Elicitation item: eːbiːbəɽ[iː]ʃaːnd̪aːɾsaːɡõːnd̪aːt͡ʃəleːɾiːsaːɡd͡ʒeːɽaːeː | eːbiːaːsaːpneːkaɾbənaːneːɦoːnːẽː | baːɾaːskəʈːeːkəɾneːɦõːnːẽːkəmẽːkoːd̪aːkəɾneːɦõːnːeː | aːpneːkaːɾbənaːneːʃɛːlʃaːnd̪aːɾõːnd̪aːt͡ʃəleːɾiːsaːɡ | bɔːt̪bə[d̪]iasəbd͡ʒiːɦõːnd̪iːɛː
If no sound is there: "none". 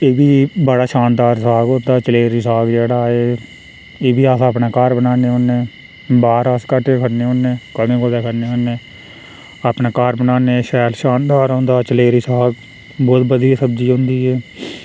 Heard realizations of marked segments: aː, d̪

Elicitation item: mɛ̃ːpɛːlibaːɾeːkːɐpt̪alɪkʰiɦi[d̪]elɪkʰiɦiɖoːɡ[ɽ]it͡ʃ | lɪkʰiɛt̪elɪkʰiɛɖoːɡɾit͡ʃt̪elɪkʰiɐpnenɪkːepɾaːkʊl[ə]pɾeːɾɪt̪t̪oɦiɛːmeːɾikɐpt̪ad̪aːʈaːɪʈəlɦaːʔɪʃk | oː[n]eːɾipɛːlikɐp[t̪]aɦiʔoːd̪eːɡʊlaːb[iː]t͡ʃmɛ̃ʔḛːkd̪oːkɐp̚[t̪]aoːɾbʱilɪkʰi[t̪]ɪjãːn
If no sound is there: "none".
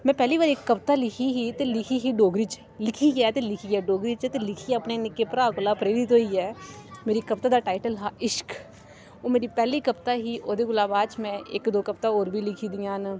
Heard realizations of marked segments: t̪, ɾ, a, m, t̪, aː, t̪, d̪

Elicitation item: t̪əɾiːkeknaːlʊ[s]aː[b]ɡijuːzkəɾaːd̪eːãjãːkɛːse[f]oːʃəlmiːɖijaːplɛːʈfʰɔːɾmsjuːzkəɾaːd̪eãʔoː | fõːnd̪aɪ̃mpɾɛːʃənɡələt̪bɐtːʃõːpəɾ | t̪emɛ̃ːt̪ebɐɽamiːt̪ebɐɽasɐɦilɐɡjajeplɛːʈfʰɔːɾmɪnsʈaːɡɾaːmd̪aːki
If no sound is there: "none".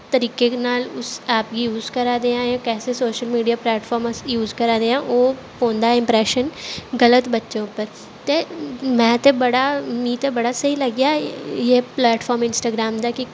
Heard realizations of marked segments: s, p, s

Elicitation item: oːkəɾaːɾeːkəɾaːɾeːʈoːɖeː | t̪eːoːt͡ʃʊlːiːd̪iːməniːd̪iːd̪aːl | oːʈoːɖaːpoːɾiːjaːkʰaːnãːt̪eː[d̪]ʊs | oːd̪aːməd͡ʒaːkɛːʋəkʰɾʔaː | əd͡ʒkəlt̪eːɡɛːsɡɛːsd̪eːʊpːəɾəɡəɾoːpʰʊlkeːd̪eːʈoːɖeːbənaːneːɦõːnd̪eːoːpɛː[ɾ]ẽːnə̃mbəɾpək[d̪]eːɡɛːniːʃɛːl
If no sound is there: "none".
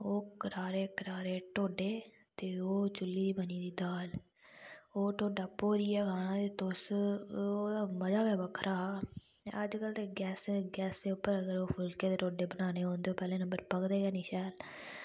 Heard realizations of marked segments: t̪, l, d̪

